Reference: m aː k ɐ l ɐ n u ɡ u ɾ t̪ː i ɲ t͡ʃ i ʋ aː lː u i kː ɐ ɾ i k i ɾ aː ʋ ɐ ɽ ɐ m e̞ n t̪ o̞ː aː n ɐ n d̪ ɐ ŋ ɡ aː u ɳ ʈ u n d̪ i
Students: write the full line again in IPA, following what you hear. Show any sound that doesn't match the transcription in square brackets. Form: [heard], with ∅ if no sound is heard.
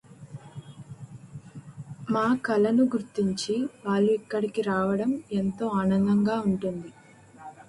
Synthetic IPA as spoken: m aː k ɐ l ɐ n u ɡ u ɾ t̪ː i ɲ t͡ʃ i ʋ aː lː u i kː ɐ [ɽ] i k i ɾ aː ʋ ɐ ɽ ɐ m e̞ n t̪ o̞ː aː n ɐ n d̪ ɐ ŋ ɡ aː u ɳ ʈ u n d̪ i